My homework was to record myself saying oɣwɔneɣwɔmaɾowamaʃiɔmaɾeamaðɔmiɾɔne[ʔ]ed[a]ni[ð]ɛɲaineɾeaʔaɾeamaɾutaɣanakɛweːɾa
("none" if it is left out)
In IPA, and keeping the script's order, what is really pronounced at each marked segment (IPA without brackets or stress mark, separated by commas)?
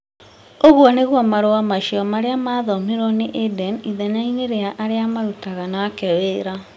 ʔ, ɛ, ð